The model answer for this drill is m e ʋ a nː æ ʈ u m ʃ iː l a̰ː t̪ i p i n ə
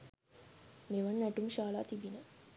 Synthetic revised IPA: m e ʋ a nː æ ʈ u m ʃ aː l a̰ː t̪ i b i n ə